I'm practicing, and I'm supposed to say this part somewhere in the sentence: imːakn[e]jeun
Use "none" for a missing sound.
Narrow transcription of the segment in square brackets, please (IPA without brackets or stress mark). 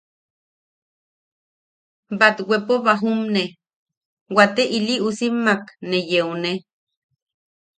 e